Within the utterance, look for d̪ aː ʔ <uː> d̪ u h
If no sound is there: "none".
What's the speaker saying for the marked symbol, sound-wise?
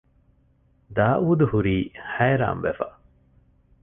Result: uː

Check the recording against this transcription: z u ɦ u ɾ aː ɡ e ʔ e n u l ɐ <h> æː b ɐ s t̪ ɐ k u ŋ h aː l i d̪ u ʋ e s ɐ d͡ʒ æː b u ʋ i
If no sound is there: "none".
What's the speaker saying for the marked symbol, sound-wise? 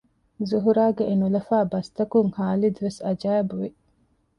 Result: f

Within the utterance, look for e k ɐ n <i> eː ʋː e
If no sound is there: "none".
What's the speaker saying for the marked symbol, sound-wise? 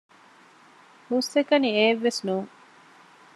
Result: i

